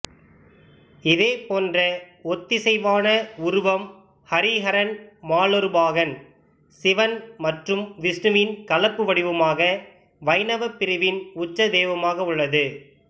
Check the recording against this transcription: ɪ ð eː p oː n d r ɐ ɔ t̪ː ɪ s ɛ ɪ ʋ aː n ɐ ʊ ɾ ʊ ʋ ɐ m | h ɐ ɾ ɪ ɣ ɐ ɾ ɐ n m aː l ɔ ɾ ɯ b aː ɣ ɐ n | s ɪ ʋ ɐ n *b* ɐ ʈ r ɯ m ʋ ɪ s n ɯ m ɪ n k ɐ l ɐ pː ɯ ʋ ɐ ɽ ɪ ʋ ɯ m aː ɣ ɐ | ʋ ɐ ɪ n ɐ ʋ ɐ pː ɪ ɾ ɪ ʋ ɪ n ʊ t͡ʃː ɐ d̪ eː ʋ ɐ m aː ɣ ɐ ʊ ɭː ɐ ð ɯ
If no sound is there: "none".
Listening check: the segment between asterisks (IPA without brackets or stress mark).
m